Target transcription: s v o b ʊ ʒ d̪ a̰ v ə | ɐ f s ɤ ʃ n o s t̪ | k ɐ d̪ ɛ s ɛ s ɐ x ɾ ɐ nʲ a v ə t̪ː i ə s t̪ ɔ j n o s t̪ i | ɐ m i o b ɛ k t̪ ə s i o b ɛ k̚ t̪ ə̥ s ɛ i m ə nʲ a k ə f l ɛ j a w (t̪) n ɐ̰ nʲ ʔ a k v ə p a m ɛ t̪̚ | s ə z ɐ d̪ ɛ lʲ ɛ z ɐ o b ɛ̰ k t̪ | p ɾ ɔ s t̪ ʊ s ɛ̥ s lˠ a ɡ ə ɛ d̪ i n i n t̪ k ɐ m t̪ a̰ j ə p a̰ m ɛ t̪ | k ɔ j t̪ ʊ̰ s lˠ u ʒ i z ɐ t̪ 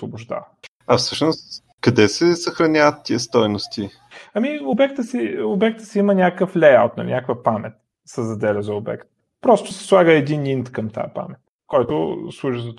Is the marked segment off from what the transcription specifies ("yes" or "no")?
no